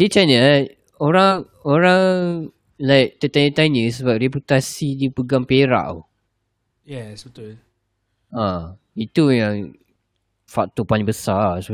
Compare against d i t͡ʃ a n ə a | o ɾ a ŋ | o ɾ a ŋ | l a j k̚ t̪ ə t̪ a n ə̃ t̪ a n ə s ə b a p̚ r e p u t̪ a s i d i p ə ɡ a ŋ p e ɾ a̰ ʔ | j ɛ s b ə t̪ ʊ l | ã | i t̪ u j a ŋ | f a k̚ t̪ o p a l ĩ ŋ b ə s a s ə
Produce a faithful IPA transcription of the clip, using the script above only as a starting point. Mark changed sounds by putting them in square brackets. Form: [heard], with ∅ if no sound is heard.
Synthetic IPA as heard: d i t͡ʃ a n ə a | o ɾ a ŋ | o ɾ a ŋ | l a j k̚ t̪ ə t̪ a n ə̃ t̪ a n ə s ə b a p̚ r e p u t̪ a s i d i p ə ɡ a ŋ p e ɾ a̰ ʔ | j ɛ s b ə t̪ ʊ l | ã | i t̪ u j a ŋ | f a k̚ t̪ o p a l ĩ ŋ b ə s a s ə